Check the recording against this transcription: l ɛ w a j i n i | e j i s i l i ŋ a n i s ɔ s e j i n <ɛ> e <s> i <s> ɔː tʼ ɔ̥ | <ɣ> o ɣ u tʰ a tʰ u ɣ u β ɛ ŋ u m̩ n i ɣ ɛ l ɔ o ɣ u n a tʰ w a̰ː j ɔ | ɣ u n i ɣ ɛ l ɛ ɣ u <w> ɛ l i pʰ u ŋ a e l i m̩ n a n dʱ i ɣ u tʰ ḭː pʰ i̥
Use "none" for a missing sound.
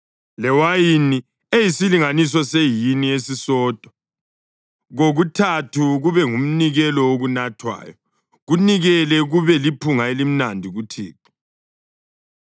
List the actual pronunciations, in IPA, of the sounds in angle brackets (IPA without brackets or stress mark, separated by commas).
i, s, s, ɣ, β